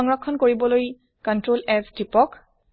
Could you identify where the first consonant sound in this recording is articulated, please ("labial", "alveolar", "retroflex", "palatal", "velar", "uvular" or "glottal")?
velar